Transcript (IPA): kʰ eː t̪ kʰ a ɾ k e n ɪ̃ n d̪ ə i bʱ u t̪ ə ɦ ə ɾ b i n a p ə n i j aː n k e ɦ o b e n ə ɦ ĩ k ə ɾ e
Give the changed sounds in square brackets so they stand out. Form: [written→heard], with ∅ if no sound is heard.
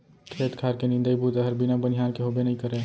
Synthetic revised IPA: kʰ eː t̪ kʰ a ɾ k e n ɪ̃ n d̪ ə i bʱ u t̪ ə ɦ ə ɾ b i n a [p→b] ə n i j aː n k e ɦ o b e n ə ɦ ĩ k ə ɾ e